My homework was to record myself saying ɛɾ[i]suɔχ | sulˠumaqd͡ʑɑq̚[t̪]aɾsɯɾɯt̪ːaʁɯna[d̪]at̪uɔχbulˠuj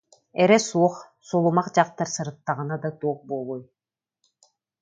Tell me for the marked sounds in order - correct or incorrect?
incorrect: ɛ, correct, correct

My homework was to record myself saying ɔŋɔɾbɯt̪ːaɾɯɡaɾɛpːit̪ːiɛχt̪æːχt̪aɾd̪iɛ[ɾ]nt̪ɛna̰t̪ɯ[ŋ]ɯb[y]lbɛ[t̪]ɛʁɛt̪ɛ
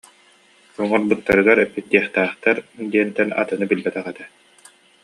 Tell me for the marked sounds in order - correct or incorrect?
incorrect: none, incorrect: n, incorrect: i, correct

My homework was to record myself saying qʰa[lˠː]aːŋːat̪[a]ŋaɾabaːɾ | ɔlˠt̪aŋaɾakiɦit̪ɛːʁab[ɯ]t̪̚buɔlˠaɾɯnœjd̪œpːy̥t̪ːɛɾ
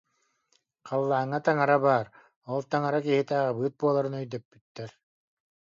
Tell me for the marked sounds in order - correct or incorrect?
correct, correct, incorrect: ɯː

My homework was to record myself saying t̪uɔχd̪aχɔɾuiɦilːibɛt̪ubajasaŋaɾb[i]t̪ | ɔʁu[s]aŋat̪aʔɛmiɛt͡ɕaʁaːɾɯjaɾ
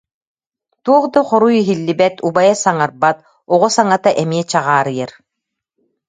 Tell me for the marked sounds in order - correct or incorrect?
incorrect: a, correct

